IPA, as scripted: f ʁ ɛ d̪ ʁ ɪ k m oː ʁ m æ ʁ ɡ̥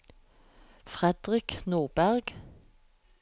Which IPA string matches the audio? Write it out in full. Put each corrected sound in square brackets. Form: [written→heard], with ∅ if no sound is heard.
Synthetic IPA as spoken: f ʁ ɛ d̪ ʁ ɪ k [m→n] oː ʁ [m→b] æ ʁ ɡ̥